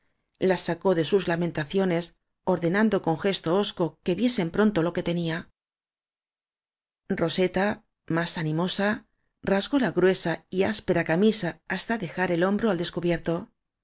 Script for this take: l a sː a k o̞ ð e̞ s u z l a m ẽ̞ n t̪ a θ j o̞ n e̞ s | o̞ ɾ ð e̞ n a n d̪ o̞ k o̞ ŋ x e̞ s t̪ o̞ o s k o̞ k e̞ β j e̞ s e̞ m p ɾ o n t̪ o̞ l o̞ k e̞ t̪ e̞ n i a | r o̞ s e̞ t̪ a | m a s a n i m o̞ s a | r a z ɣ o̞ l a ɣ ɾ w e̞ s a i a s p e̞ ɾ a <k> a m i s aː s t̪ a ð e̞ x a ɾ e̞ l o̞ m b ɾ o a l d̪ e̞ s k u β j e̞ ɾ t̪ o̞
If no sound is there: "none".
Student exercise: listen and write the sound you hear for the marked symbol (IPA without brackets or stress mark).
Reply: k